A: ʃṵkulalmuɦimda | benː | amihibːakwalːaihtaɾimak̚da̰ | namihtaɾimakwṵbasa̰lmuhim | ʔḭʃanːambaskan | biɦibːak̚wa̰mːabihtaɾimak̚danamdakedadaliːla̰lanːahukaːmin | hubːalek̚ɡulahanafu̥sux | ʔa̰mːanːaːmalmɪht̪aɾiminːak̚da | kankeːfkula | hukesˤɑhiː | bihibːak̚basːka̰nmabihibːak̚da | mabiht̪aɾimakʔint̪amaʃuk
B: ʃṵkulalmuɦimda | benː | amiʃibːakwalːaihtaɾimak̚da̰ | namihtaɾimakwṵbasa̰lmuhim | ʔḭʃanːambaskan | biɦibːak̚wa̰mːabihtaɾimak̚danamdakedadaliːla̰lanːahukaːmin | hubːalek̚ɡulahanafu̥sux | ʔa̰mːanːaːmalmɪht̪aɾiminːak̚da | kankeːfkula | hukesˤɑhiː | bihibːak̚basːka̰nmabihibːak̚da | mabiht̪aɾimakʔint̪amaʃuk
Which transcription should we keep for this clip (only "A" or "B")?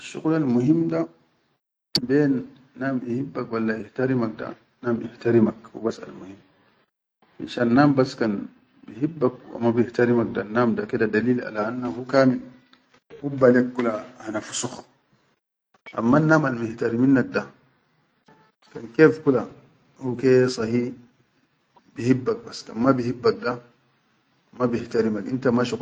A